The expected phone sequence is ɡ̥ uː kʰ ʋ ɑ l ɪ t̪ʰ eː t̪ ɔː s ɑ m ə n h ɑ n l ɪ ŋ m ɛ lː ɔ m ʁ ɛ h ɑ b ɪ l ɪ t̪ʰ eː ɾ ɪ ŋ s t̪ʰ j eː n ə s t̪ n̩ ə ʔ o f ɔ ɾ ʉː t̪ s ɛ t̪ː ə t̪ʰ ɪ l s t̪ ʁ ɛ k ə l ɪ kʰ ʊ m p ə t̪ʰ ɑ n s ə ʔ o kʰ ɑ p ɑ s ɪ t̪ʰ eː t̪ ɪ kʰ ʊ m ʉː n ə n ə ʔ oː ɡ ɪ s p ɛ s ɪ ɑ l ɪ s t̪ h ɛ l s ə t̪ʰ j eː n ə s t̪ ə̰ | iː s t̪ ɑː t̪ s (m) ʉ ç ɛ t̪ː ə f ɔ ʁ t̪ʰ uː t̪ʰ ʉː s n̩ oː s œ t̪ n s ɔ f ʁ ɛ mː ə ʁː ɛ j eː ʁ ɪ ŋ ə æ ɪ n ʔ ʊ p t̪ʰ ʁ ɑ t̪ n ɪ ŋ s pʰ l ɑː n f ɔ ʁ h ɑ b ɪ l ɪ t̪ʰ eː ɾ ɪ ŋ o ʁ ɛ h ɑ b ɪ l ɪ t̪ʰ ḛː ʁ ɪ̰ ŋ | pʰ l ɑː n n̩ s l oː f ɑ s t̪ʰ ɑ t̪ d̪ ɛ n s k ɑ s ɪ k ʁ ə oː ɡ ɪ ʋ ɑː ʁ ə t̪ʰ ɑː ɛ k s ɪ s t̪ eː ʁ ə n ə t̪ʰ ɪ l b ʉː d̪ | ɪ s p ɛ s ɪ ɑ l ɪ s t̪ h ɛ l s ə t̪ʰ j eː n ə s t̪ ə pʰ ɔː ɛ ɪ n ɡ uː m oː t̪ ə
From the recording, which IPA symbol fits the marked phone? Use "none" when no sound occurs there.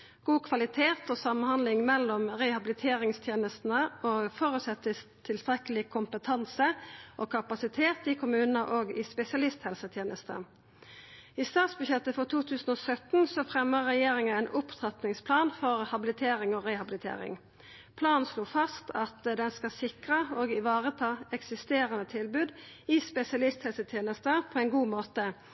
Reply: b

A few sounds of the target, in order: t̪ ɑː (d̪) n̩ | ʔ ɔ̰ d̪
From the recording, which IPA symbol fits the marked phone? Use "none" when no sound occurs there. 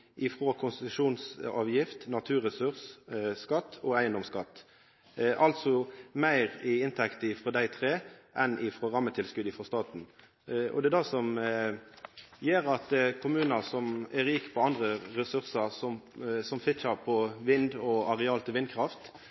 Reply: t̪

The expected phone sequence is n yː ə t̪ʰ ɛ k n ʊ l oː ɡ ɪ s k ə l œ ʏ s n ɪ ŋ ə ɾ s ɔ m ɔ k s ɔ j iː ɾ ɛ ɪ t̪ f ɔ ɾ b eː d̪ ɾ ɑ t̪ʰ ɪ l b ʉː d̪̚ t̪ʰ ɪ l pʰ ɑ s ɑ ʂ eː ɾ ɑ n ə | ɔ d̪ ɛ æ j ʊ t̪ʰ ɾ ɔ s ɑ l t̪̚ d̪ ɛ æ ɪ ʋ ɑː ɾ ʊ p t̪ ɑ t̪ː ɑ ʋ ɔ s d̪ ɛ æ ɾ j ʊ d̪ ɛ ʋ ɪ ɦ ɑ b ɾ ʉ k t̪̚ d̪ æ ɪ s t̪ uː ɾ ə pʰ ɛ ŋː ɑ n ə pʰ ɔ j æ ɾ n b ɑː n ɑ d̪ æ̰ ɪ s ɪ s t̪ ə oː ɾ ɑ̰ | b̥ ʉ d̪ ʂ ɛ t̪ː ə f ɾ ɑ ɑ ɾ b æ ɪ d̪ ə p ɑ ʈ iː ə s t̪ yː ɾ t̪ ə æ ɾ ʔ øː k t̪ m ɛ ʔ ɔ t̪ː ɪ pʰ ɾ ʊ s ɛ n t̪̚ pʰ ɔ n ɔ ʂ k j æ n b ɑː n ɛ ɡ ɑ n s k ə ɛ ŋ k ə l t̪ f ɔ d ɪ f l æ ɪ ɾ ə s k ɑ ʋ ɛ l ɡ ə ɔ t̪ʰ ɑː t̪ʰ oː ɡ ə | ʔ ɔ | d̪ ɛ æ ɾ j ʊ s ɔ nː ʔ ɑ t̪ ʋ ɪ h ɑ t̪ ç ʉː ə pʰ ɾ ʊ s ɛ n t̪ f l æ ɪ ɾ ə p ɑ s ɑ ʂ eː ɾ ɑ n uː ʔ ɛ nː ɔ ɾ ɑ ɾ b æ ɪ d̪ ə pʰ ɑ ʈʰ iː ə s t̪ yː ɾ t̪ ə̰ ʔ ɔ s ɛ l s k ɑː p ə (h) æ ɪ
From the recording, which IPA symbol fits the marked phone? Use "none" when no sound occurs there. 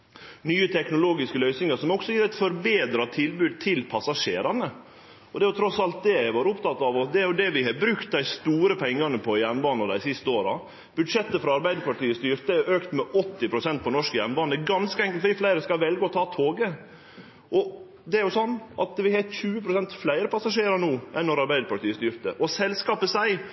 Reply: s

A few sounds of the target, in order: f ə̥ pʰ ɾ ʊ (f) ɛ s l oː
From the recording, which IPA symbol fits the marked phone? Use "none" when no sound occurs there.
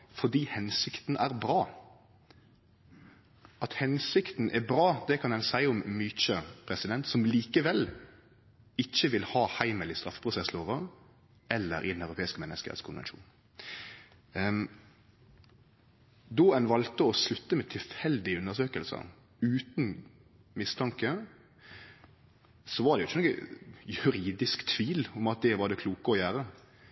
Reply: s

